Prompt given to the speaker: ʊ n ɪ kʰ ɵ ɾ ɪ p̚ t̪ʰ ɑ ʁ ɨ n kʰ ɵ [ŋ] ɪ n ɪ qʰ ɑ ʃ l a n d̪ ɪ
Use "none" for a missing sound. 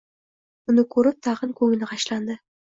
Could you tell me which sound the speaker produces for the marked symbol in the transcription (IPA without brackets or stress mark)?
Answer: ŋ